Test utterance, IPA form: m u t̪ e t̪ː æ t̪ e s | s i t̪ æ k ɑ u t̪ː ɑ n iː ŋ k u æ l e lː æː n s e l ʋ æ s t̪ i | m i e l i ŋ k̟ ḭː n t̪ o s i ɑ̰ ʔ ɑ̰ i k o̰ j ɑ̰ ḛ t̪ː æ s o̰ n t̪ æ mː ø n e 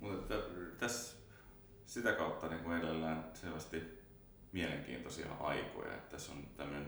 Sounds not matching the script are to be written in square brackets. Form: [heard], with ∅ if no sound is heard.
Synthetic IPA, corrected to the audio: m u t̪ e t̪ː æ t̪ [æ] s | s i t̪ æ k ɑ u t̪ː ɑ n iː ŋ k u [e] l e lː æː n s e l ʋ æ s t̪ i | m i e l [e] ŋ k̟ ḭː n t̪ o s i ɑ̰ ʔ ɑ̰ i k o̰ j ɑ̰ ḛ t̪ː æ s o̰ n t̪ æ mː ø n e